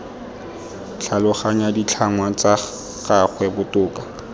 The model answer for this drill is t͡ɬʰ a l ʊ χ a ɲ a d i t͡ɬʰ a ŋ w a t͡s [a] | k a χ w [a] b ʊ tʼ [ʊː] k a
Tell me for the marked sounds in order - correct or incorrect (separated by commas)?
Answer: correct, incorrect, correct